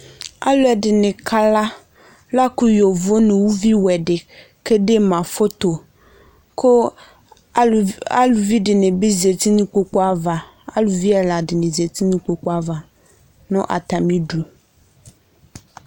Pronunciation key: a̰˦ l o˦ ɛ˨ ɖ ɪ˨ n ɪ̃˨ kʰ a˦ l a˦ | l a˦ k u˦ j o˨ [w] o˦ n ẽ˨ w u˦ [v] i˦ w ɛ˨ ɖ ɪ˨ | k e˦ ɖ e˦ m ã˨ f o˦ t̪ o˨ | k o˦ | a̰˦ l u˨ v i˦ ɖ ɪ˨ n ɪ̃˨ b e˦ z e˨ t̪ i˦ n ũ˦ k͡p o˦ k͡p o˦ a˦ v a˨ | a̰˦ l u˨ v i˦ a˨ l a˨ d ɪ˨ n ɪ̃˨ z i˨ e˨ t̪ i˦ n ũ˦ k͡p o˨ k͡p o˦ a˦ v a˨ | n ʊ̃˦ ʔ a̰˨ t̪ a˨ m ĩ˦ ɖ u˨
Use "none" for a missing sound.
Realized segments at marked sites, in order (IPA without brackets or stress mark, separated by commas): v, v